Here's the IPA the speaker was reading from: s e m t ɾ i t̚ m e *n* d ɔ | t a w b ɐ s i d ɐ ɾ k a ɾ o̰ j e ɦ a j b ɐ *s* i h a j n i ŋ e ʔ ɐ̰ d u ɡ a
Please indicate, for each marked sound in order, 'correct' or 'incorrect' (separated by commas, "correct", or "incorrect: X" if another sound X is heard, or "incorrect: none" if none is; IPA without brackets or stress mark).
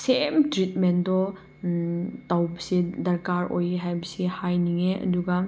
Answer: correct, correct